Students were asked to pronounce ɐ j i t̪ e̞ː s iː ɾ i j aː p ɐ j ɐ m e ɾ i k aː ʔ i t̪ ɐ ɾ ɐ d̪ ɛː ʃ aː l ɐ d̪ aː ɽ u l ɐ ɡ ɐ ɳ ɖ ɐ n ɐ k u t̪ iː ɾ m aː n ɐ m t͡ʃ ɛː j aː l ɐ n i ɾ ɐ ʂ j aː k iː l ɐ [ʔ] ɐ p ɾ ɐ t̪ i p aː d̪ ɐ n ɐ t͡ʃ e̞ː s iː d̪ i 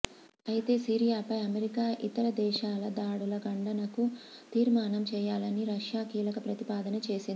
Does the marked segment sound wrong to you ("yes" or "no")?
yes